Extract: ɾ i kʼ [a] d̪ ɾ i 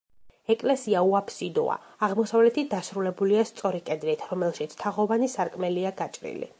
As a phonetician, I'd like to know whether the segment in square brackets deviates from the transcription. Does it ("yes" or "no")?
yes